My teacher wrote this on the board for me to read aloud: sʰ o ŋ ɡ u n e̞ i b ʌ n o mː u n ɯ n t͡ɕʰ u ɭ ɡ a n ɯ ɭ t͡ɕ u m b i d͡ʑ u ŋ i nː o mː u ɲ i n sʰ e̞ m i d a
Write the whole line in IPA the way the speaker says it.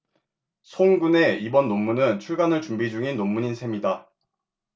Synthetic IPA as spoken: sʰ o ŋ ɡ u n e̞ i b ʌ nː o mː u n ɯ n t͡ɕʰ u ɭ ɡ a n ɯ ɭ t͡ɕ u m b i d͡ʑ u ŋ i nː o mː u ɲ i n sʰ e̞ m i d a